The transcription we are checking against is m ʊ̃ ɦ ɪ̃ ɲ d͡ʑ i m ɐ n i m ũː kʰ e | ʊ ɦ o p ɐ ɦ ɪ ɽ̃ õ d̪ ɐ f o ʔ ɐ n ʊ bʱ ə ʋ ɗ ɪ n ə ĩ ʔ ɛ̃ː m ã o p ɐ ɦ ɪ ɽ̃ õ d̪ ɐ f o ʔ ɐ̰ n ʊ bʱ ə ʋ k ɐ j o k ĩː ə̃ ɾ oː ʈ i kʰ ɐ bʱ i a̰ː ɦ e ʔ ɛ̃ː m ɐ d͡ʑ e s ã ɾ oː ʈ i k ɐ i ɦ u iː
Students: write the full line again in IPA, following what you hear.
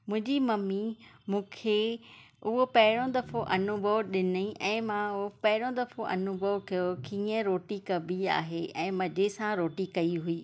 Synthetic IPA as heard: m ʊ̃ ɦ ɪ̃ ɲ d͡ʑ i m ɐ m i m ũː kʰ e | ʊ ɦ o p ɐ ɦ ɪ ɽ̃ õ d̪ ɐ f o ʔ ɐ n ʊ bʱ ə ʋ ɗ ɪ n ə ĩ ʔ ɛ̃ː m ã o p ɐ ɦ ɪ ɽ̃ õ d̪ ɐ f o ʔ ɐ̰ n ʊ bʱ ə ʋ k ɐ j o k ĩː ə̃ ɾ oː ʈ i k ɐ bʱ i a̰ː ɦ e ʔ ɛ̃ː m ɐ d͡ʑ e s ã ɾ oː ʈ i k ɐ i ɦ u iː